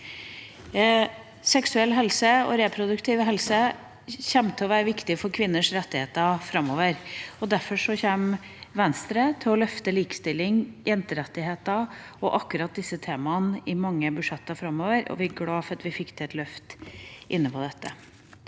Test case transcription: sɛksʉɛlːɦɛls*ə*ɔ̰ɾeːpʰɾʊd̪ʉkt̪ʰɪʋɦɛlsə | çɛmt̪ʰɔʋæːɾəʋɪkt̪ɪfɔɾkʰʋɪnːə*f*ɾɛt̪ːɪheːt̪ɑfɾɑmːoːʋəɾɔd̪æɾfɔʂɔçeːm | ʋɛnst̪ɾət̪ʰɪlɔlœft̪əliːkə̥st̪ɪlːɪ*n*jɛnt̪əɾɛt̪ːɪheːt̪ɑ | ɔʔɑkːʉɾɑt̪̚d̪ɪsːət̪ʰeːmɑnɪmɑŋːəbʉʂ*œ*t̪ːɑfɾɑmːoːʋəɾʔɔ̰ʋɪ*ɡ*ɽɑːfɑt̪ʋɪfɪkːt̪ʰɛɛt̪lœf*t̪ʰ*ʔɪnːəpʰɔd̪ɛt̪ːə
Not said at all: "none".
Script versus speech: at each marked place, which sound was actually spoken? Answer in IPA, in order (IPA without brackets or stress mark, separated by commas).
ə, ʂ, ŋ, ɛ, ɡ, t̪